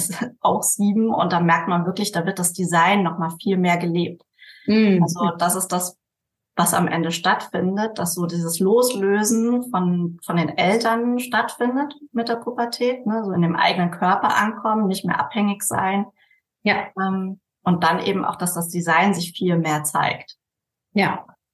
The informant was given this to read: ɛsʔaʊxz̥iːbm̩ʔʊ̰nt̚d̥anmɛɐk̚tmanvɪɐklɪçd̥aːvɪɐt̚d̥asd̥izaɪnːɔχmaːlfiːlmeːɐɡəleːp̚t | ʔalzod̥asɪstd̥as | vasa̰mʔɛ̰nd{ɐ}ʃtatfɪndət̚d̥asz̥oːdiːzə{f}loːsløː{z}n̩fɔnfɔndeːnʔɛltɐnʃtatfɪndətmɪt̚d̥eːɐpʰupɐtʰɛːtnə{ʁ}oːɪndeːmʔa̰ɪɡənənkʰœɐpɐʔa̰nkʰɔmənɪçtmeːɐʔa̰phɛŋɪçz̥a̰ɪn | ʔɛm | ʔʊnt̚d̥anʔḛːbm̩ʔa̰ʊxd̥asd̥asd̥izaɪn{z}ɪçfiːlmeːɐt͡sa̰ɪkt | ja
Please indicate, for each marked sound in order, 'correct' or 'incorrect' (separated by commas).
incorrect, incorrect, correct, incorrect, correct